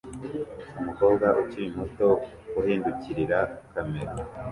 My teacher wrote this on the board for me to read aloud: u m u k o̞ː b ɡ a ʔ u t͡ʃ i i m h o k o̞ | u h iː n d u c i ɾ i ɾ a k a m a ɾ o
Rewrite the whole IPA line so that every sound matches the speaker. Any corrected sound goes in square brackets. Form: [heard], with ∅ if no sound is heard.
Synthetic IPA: u m u k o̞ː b ɡ a ʔ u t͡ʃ i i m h o [t] o̞ | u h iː n d u c i ɾ i ɾ a k a m [e] ɾ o